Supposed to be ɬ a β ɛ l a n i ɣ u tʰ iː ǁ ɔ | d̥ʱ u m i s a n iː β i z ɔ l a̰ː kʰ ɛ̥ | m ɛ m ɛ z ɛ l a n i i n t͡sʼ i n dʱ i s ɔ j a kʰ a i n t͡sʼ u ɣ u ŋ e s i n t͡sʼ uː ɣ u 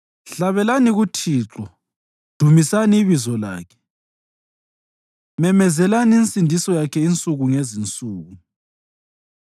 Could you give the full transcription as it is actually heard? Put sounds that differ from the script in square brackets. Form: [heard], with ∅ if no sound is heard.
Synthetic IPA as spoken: ɬ a β ɛ l a n i ɣ u tʰ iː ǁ ɔ | d̥ʱ u m i s a n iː β i z ɔ l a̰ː kʰ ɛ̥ | m ɛ m ɛ z ɛ l a n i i n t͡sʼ i n dʱ i s ɔ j a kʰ [ɛ] i n t͡sʼ u ɣ u ŋ e [z] i n t͡sʼ uː ɣ u